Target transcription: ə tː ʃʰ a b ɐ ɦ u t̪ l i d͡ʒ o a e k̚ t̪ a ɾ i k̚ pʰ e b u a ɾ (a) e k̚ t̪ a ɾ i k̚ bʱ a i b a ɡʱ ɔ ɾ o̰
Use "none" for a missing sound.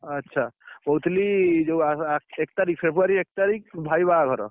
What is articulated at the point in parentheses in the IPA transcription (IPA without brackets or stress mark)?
i